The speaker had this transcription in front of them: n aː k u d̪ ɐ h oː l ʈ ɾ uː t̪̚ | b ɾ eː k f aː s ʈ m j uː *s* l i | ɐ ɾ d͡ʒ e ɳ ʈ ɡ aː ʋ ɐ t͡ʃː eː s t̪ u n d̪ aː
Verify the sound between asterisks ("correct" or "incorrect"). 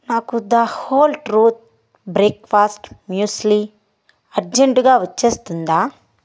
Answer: correct